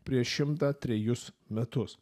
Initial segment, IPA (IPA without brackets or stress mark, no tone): pʲ